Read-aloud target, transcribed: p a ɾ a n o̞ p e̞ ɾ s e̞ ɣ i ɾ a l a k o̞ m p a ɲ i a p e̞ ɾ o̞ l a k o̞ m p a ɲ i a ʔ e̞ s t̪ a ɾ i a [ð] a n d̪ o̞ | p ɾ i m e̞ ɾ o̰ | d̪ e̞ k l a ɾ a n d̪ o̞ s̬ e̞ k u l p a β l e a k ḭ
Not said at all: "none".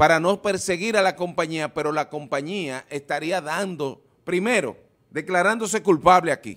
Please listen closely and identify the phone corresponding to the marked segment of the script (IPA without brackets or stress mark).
ð